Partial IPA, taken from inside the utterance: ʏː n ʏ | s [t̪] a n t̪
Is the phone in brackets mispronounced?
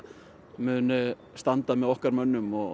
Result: no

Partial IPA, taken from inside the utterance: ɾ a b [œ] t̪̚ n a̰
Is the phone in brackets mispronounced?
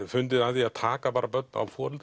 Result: no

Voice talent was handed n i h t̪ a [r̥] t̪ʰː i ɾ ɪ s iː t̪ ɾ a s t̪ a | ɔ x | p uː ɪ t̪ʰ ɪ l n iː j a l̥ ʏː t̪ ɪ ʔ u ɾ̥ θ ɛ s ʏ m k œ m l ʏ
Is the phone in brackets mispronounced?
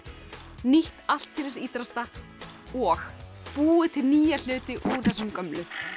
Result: yes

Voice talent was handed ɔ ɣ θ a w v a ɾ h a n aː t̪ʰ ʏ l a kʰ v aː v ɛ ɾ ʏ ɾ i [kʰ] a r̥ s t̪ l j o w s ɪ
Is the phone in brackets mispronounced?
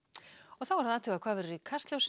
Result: no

